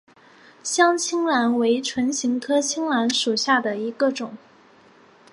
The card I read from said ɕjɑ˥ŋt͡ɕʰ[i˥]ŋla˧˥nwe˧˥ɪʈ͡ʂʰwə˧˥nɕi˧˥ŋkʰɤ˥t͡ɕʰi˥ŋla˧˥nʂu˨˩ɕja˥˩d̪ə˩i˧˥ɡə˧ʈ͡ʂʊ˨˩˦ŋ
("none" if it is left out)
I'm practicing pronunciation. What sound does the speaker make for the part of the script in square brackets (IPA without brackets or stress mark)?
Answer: i˥